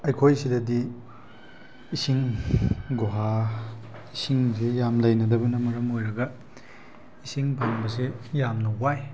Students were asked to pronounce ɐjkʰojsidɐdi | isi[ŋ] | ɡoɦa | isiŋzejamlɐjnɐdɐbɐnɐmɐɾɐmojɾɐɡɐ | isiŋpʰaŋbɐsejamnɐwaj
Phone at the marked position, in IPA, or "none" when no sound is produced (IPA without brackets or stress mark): ŋ